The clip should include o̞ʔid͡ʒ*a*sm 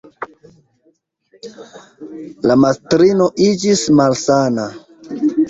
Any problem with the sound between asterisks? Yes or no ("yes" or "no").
yes